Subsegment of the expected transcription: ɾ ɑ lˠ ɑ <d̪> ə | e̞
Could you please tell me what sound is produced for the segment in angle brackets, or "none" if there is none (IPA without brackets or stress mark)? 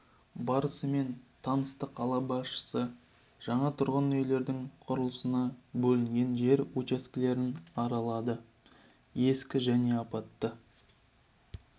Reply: d̪